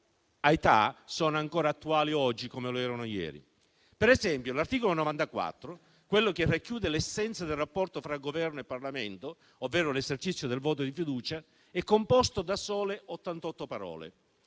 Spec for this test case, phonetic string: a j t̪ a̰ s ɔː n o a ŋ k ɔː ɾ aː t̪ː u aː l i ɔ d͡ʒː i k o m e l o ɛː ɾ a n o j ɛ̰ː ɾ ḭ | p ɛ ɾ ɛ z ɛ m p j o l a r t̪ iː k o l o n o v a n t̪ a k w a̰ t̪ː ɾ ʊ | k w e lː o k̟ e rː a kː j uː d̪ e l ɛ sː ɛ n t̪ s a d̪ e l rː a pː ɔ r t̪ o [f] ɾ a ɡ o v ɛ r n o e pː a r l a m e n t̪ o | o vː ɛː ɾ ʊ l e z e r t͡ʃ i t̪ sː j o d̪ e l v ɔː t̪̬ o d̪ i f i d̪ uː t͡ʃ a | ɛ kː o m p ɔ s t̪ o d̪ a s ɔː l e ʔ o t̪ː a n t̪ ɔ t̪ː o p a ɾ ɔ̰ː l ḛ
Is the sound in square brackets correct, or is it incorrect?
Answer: correct